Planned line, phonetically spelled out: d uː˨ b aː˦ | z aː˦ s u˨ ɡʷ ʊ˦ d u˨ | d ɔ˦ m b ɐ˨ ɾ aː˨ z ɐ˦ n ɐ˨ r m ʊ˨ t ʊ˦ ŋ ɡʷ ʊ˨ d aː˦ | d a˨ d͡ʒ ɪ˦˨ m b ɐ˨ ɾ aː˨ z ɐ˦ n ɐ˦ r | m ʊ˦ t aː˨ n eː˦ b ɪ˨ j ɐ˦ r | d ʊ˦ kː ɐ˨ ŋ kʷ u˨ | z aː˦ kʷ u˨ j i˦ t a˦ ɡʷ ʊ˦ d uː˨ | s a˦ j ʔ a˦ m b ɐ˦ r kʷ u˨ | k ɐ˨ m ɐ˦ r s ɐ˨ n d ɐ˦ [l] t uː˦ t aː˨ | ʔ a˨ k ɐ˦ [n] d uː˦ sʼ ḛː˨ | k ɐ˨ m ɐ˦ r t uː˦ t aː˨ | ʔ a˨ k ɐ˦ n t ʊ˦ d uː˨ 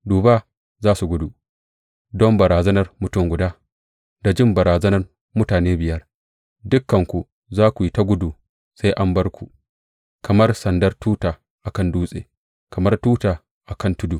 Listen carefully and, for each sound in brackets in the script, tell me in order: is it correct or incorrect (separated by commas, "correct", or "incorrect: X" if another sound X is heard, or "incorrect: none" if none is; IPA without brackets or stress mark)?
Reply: incorrect: r, correct